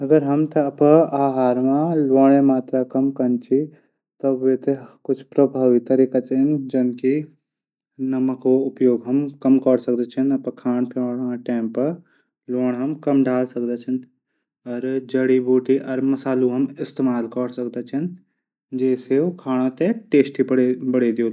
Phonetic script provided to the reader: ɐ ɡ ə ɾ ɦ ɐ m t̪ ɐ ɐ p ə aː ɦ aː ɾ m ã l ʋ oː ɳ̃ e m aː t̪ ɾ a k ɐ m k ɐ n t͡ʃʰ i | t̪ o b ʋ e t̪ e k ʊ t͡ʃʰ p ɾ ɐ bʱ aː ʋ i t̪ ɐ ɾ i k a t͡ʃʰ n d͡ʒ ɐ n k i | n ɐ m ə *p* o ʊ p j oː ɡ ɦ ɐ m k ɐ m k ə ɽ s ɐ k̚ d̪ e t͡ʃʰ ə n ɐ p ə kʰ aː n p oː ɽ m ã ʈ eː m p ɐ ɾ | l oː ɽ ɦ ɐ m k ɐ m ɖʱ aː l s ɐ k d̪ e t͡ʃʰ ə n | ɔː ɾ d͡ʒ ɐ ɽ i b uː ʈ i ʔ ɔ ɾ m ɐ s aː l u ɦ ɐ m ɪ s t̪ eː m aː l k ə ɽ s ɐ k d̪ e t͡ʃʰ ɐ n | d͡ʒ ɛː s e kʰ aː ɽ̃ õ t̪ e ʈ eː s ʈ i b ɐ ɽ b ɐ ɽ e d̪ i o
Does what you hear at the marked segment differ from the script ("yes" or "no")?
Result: yes